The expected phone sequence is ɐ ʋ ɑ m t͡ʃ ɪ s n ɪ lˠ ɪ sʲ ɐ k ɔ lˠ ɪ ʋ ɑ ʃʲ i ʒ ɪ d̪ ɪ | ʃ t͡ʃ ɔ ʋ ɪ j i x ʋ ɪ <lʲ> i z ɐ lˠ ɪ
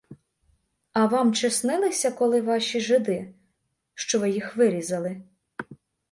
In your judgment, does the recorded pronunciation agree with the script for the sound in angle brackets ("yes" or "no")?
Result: no